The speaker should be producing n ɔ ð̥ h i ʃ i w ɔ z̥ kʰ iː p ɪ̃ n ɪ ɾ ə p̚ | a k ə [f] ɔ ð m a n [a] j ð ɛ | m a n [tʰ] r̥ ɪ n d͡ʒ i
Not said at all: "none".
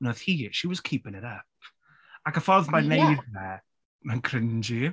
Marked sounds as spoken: f, e, kʰ

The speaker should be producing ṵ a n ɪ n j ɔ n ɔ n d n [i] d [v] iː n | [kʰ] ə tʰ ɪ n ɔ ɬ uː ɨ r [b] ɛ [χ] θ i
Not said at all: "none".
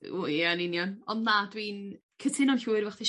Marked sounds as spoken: a, w, kʰ, v, χ

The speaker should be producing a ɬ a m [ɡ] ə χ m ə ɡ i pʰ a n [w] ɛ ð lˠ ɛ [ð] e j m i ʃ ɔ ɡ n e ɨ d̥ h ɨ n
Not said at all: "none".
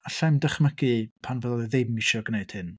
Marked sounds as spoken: d, v, ð

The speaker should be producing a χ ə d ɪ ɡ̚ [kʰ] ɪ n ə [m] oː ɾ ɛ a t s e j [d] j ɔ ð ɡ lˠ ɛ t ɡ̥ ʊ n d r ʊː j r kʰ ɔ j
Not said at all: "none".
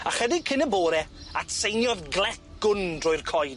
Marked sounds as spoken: kʰ, b, n

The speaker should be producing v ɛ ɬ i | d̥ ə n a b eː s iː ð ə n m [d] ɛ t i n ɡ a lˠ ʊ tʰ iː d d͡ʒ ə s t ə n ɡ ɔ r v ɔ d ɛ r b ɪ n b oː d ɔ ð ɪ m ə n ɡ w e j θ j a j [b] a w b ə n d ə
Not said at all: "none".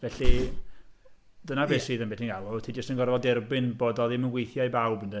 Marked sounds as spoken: b, b

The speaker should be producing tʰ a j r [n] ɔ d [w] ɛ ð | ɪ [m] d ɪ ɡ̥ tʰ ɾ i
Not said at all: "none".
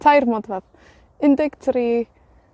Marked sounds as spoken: m, v, n

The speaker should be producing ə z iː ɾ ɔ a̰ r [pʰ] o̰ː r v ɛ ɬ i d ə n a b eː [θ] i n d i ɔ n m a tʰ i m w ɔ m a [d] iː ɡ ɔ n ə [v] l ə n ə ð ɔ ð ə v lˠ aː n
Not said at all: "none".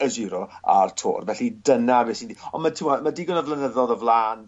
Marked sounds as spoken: tʰ, s, d, v

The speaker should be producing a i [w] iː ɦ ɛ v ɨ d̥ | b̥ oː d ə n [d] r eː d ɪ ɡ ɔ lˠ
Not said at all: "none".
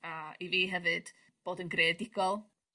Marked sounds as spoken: v, ɡ

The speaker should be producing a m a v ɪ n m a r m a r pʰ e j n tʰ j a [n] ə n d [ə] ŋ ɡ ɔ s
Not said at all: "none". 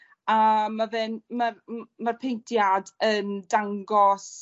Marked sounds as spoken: d, a

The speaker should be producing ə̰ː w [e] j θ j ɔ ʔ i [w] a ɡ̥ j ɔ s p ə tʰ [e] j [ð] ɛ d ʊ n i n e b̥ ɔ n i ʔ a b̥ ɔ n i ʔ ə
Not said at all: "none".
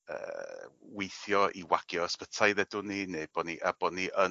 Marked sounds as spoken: e, w, a, ð

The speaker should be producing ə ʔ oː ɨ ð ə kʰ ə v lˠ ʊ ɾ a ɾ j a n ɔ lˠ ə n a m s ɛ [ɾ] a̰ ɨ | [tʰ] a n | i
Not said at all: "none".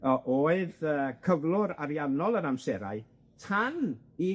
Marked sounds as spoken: ɾ, tʰ

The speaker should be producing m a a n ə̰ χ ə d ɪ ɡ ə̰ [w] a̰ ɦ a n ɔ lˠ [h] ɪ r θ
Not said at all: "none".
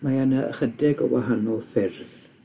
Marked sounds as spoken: w, f

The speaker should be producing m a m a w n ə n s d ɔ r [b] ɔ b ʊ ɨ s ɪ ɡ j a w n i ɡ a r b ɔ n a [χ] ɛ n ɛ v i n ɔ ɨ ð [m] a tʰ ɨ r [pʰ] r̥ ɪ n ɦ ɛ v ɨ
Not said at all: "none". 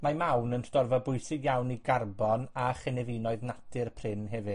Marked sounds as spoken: v, χ, n, pʰ

